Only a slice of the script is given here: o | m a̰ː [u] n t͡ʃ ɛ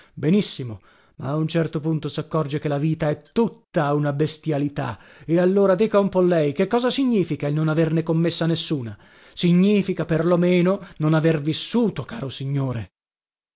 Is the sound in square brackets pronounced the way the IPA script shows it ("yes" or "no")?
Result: yes